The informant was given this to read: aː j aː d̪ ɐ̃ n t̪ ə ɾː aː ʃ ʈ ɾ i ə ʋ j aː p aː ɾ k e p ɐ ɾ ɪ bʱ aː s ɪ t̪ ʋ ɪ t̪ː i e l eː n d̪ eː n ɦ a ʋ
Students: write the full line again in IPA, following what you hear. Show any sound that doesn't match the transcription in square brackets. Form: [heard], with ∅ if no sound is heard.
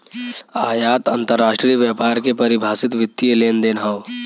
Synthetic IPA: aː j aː [t̪] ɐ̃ n t̪ ə ɾː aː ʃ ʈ ɾ i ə ʋ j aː p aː ɾ k e p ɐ ɾ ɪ bʱ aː s ɪ t̪ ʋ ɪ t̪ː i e l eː n d̪ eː n ɦ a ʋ